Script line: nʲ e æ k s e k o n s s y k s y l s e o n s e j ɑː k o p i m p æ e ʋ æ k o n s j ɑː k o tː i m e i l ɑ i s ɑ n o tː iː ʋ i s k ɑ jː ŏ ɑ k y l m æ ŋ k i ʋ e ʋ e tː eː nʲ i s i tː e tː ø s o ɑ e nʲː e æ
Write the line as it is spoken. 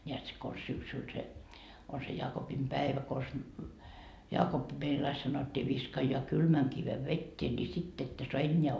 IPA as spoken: nʲ e æ t s e k o n s s y k s y l s e o n s e j ɑː k o p i m p æ e ʋ æ k o n s j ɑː k o pː i m e i l ɑ i s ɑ n o tː iː ʋ i s k ɑ jː ŏ ɑ k y l m æ ŋ k i ʋ e ʋ e tː eː nʲ i s i tː e tː ø s o ɑ e nʲː e æ